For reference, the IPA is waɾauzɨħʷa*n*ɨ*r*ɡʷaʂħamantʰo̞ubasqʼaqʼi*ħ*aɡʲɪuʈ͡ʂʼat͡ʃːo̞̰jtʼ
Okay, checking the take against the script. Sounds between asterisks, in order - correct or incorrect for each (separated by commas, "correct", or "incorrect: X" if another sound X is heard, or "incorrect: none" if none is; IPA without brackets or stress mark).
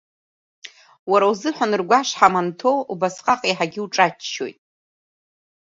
correct, correct, correct